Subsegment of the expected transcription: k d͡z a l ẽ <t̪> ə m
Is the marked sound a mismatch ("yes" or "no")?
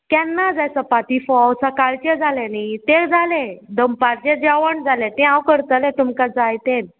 yes